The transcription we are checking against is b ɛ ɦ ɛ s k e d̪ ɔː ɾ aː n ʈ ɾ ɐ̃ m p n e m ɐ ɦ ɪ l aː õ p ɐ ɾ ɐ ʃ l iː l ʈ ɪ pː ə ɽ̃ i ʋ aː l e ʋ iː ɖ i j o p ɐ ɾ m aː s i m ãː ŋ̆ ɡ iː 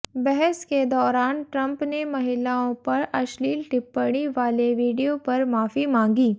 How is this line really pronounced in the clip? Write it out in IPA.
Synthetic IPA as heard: b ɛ ɦ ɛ s k e d̪ ɔː ɾ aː n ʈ ɾ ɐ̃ m p n e m ɐ ɦ ɪ l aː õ p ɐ ɾ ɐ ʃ l iː l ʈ ɪ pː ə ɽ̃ i ʋ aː l e ʋ iː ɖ i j o p ɐ ɾ m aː f i m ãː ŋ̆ ɡ iː